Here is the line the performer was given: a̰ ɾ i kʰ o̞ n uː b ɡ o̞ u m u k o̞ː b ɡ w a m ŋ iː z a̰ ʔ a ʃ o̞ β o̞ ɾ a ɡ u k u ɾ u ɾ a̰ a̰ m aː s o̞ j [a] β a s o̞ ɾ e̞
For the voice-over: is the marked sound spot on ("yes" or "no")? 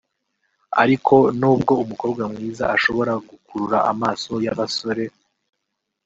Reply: yes